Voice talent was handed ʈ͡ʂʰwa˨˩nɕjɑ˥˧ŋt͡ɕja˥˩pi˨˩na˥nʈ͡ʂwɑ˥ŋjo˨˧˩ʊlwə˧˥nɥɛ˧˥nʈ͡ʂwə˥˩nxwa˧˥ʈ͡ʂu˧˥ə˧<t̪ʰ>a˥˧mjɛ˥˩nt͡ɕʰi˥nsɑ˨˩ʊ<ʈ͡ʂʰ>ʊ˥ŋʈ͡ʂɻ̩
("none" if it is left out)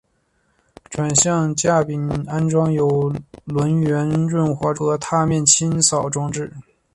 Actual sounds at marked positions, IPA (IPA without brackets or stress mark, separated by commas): t̪ʰ, ʈ͡ʂ